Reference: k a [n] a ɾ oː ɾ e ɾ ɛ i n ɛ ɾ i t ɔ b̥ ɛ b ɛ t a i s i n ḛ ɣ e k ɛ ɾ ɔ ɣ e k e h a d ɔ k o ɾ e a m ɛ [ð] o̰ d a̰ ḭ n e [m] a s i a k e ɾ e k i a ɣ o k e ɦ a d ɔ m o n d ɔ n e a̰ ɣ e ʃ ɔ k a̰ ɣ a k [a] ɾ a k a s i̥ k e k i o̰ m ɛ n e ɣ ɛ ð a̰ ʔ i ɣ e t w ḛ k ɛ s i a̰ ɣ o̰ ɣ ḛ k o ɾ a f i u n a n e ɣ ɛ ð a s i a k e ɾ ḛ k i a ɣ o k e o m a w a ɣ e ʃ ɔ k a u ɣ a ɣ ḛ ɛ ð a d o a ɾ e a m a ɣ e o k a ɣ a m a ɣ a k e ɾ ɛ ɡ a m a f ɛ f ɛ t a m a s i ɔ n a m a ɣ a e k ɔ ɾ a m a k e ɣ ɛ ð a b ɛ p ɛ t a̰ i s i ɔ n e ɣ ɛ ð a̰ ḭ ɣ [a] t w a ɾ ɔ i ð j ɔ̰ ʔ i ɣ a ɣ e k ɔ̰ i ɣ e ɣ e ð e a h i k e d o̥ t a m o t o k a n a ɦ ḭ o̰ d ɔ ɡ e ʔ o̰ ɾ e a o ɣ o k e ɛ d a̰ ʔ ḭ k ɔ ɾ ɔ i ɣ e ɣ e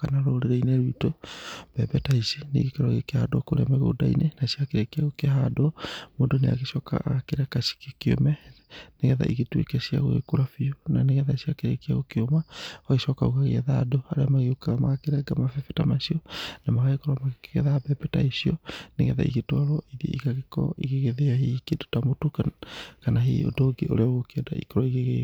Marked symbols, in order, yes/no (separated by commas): yes, no, no, no, no